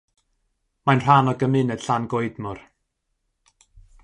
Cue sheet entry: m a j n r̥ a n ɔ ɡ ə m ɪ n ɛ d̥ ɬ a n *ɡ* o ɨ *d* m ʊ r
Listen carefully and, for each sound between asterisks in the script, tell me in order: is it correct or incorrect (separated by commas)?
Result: correct, correct